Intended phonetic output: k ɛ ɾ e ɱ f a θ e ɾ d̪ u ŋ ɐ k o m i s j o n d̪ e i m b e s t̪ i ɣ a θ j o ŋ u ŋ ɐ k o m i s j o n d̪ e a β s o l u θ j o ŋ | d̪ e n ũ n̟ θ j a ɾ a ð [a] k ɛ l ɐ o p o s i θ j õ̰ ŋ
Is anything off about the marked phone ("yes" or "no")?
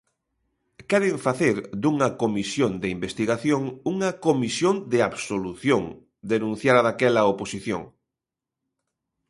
no